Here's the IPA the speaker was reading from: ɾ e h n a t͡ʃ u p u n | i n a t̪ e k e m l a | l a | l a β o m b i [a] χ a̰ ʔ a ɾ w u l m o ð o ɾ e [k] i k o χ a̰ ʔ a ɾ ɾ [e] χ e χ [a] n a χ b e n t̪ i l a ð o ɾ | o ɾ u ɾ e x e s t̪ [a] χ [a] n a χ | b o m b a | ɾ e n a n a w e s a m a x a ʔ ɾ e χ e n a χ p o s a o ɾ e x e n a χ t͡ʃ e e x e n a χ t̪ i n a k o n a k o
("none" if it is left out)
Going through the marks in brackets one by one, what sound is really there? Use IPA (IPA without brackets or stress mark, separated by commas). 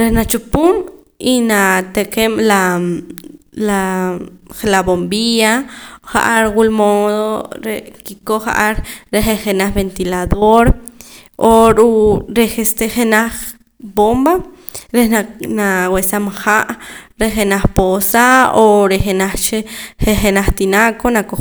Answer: a, k, e, e, e, e